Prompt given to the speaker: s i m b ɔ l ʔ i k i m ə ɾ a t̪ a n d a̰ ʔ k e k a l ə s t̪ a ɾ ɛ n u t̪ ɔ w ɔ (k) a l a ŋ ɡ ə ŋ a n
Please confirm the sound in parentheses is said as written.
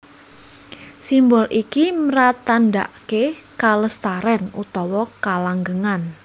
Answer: yes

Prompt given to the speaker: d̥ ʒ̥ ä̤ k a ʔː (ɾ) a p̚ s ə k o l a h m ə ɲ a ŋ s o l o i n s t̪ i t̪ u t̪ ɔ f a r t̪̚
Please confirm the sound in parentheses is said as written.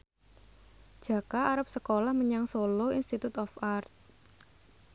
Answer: yes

